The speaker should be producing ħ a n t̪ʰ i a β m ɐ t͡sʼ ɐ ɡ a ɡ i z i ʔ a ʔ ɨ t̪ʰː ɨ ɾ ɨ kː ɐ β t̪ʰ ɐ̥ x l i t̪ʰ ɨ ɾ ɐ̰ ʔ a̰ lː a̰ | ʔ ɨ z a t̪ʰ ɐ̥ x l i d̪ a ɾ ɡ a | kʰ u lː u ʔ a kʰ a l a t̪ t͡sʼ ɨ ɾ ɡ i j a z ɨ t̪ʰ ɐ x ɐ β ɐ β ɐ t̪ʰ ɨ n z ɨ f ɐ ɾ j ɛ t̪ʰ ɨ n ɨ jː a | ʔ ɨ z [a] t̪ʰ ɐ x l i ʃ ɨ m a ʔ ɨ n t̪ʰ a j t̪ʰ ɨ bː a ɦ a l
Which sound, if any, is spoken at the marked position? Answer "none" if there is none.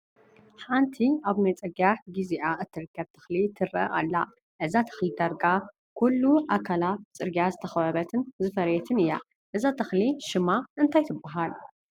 a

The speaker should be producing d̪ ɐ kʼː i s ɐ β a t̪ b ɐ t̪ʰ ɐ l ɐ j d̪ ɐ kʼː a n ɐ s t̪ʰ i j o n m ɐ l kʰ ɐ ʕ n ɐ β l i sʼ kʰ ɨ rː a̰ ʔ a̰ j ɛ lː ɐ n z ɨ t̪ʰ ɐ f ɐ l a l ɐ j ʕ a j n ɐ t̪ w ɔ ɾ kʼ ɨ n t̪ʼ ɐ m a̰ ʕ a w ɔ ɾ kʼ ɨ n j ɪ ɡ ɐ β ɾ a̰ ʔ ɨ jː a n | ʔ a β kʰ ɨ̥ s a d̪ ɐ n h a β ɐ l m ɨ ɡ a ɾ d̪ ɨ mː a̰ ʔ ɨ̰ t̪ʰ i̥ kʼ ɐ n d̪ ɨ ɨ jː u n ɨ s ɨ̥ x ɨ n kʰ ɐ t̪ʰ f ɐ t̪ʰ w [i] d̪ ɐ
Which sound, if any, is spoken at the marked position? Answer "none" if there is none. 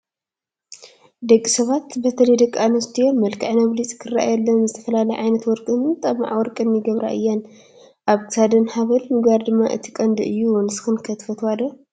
a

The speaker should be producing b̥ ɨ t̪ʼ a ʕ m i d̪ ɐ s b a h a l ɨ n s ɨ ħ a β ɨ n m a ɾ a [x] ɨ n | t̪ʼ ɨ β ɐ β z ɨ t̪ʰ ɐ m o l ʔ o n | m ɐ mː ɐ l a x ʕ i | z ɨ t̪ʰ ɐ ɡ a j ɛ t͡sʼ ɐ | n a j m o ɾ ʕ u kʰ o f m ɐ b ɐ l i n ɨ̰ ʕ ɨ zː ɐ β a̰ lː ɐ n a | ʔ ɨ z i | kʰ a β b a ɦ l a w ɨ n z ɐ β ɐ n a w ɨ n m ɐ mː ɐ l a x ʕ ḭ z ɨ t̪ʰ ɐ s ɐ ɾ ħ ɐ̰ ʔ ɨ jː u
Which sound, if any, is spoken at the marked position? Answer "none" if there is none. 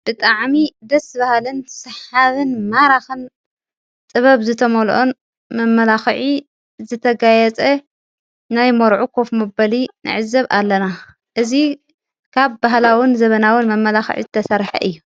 x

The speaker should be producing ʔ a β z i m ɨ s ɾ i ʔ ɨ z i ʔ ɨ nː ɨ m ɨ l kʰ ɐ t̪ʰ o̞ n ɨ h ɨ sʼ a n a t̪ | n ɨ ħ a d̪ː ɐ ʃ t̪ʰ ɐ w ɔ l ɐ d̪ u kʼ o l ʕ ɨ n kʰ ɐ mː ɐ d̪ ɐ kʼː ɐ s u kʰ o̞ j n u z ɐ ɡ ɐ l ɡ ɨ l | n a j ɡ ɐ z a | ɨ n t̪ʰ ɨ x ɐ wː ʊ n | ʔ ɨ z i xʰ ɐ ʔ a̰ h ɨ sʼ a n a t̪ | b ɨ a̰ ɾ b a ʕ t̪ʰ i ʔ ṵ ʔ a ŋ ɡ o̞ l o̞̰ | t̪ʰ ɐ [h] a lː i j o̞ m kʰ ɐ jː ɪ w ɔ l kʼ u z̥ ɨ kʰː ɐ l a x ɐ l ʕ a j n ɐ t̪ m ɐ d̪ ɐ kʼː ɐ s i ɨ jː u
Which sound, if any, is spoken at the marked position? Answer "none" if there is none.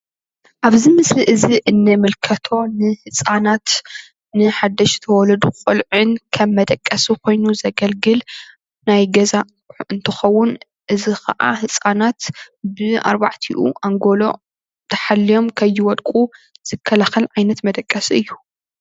ħ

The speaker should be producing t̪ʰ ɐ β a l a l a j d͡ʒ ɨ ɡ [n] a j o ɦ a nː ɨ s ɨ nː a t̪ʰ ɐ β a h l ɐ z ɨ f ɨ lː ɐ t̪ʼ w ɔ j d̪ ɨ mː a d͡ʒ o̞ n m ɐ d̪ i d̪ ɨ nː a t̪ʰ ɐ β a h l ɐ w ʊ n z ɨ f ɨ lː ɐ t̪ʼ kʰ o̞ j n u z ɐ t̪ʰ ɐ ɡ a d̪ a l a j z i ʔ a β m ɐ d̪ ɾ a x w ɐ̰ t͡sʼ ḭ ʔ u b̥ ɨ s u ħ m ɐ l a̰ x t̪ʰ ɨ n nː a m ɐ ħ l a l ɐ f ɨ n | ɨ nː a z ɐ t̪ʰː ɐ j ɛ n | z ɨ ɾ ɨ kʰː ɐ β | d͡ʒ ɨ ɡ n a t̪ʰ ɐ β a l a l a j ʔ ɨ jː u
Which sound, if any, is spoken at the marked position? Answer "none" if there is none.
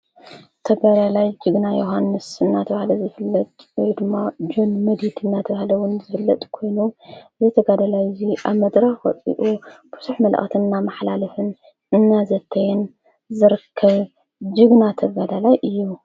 n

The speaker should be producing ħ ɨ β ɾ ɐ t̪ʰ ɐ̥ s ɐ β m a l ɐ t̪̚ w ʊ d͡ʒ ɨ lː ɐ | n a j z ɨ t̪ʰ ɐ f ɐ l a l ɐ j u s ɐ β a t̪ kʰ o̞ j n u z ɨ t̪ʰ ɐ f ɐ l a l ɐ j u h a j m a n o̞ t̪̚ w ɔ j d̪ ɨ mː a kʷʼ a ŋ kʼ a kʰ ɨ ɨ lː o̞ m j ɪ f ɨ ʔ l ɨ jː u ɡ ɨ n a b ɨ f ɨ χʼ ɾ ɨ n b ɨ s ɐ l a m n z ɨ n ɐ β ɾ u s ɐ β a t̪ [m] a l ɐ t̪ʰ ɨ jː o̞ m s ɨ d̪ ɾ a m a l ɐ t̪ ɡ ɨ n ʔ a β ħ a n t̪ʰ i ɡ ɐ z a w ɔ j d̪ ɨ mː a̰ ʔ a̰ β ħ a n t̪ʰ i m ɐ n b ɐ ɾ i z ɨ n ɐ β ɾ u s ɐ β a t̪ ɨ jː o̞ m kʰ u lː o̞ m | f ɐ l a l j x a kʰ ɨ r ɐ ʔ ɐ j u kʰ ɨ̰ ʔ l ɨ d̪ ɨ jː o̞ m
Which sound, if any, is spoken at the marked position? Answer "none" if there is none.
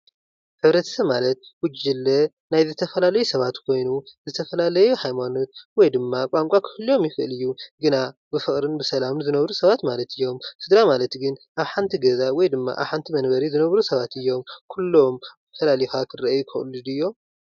m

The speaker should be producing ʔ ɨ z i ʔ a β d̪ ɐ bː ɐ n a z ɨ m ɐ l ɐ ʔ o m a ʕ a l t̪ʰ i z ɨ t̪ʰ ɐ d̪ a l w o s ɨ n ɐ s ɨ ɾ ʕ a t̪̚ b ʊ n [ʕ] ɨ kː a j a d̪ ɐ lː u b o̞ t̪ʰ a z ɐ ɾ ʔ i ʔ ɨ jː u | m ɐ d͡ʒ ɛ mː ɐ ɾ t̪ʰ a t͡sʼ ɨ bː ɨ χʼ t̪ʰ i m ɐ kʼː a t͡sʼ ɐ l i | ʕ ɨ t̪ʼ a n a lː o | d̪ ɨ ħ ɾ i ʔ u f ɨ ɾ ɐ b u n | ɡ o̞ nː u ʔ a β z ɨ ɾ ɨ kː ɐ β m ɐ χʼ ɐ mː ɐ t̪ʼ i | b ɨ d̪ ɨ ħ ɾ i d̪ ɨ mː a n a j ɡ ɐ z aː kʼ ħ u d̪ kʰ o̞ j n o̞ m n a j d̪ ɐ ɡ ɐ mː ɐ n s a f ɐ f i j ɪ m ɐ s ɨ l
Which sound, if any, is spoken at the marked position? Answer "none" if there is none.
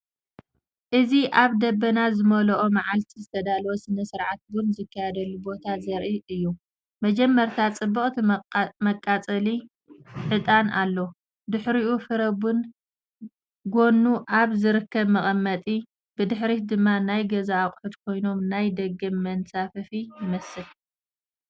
z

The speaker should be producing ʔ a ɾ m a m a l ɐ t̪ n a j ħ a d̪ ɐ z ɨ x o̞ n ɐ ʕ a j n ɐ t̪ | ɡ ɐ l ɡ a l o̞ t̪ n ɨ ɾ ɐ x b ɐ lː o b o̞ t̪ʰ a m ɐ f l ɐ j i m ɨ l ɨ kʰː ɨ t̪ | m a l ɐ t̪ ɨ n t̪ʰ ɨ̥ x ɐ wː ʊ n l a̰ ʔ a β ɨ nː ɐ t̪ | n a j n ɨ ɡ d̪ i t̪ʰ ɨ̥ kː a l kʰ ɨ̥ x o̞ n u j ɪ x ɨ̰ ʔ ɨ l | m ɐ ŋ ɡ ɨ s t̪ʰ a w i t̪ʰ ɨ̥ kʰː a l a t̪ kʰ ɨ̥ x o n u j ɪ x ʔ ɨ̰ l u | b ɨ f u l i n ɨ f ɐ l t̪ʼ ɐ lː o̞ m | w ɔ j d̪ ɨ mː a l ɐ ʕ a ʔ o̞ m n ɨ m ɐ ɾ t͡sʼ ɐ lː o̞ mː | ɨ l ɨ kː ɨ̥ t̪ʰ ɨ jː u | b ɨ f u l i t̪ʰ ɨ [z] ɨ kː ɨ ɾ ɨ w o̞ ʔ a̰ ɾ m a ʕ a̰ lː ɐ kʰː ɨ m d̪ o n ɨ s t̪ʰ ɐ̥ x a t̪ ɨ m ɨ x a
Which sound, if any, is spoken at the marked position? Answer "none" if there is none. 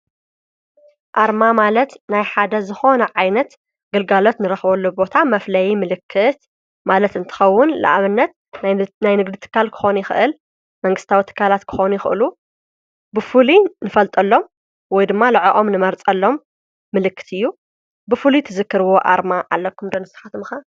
z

